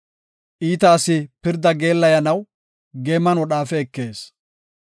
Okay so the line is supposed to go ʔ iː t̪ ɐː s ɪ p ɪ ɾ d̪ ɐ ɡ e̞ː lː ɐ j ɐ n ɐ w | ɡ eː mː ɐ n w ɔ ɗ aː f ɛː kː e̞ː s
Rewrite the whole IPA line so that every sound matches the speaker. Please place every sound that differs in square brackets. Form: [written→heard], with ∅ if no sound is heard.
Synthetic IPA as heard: ʔ iː t̪ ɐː s ɪ p ɪ ɾ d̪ ɐ ɡ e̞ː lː ɐ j ɐ n ɐ w | ɡ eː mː ɐ n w ɔ ɗ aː f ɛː kː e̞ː s